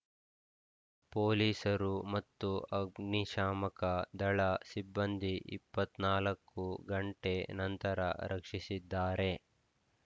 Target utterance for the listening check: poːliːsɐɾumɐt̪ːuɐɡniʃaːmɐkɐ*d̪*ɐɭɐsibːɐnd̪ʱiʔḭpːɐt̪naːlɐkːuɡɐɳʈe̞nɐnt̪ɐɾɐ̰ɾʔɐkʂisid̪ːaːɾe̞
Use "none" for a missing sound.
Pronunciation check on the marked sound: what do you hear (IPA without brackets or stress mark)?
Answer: d̪